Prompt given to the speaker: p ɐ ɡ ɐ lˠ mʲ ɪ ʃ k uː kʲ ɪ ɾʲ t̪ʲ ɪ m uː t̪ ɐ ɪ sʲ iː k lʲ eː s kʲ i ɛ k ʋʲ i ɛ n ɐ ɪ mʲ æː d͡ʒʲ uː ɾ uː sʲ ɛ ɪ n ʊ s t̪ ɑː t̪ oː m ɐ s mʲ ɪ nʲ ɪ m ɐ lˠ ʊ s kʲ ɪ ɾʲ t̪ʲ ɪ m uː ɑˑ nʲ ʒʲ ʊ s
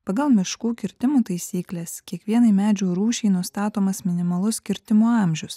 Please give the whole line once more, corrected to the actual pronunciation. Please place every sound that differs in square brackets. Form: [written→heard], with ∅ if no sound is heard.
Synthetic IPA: p ɐ ɡ ɐ lˠ mʲ ɪ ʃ k uː kʲ ɪ ɾʲ t̪ʲ ɪ m uː t̪ ɐ ɪ sʲ iː k lʲ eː s kʲ i ɛ k ʋʲ i ɛ n ɐ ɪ mʲ æː d͡ʒʲ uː ɾ uː [sʲ→ʃʲ] ɛ ɪ n ʊ s t̪ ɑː t̪ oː m ɐ s mʲ ɪ nʲ ɪ m ɐ lˠ ʊ s kʲ ɪ ɾʲ t̪ʲ ɪ m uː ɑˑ [nʲ→mʲ] ʒʲ ʊ s